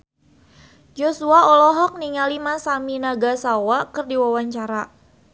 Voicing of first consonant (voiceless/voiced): voiced